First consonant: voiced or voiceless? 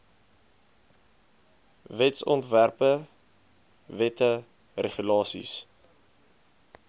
voiced